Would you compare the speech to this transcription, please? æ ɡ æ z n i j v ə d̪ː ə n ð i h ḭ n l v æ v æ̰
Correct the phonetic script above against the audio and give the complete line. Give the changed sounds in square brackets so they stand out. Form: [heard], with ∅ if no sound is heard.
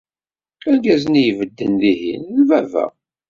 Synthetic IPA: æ ɡ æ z n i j v ə d̪ː ə n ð i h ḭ n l v æ v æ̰